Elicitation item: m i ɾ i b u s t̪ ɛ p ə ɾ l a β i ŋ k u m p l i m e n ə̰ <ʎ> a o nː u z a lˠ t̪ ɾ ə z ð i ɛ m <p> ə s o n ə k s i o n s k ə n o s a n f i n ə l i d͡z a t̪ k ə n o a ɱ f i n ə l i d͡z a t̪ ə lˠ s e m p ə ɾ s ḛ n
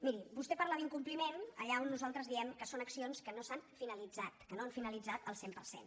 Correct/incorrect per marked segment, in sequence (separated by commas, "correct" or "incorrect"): correct, incorrect